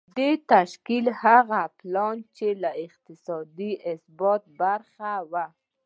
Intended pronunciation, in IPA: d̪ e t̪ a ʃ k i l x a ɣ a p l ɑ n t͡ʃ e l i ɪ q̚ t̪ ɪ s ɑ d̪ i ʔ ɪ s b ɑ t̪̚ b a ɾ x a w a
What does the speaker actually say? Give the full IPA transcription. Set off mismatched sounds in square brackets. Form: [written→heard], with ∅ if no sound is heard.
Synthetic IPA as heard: d̪ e t̪ a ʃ k i l [x→h] a ɣ a p l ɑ n t͡ʃ e l [i→a] ɪ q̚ t̪ ɪ s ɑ d̪ i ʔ ɪ s b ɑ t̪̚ b a ɾ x a w a